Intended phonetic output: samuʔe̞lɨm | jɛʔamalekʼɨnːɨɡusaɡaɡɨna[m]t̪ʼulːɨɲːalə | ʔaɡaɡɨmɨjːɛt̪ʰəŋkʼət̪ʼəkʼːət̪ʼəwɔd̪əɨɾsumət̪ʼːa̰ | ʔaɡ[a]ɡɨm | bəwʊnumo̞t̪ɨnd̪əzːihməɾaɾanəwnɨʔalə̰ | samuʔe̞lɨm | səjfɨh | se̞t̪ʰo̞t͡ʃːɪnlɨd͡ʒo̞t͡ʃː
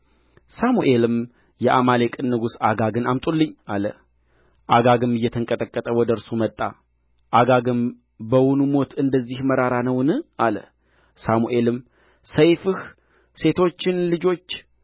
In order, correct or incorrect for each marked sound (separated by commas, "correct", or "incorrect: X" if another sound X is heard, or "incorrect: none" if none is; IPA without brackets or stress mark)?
correct, correct